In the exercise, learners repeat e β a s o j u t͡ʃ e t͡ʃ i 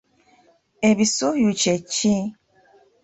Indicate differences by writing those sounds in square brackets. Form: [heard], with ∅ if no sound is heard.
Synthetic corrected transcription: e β [i] s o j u t͡ʃ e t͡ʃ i